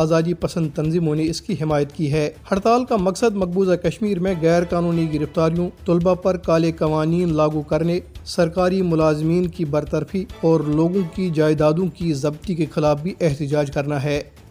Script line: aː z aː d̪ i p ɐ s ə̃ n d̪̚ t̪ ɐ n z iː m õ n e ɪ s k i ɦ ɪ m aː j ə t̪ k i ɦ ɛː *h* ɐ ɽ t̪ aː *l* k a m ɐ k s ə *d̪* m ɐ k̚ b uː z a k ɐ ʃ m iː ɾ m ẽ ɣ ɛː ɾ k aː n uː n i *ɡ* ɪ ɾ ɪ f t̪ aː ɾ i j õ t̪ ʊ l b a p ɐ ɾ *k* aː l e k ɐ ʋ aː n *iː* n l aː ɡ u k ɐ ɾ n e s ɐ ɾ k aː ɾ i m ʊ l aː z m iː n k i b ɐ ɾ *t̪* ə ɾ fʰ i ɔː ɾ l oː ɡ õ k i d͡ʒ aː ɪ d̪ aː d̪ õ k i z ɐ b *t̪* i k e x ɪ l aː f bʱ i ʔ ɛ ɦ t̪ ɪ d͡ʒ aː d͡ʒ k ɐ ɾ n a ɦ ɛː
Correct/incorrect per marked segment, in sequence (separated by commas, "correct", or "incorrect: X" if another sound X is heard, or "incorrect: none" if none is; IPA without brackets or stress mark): correct, correct, correct, correct, correct, correct, correct, correct